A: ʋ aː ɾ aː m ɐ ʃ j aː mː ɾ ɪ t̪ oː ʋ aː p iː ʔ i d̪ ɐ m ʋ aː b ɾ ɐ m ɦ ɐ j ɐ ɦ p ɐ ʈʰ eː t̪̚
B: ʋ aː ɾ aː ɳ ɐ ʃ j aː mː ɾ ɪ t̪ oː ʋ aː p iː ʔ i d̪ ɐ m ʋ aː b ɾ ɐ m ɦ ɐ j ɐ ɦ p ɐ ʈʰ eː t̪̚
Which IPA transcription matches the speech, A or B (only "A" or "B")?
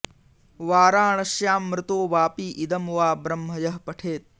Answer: B